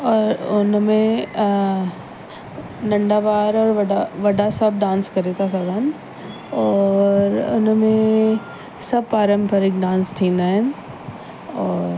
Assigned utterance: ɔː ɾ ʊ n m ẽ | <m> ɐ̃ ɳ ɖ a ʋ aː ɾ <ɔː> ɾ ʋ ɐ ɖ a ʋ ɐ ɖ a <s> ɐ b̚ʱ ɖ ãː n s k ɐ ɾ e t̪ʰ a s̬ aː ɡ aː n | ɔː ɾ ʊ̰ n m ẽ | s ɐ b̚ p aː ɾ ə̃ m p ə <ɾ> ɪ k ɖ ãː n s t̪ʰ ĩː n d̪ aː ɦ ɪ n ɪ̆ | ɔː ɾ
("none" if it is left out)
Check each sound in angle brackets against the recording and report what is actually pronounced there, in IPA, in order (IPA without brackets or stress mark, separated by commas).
n, ɔː, s, ɾ